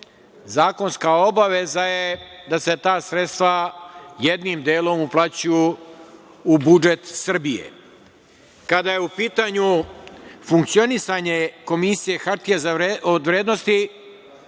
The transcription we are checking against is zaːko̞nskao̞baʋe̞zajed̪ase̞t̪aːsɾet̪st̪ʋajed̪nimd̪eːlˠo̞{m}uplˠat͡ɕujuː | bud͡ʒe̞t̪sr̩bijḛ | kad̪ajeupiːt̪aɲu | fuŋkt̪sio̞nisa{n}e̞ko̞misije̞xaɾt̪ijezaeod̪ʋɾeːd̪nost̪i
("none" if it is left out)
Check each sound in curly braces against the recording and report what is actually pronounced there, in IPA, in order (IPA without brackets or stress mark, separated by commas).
m, ɲ